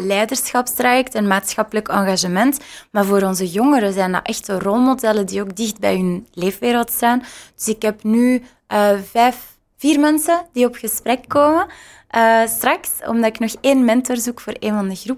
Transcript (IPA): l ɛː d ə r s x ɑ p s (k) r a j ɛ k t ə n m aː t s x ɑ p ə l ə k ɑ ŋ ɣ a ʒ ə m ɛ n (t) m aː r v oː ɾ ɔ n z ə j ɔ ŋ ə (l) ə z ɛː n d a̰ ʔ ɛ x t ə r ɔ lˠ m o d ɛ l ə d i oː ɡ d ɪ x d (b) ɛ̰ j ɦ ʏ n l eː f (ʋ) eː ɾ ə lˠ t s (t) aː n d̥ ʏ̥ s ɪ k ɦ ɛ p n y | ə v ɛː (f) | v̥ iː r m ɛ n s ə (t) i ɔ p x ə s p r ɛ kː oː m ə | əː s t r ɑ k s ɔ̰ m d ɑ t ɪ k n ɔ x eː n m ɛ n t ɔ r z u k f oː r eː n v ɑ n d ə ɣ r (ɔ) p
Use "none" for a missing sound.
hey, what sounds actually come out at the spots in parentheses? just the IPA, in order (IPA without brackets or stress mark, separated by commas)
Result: t, t, ɾ, b, ʋ, t, f, d, u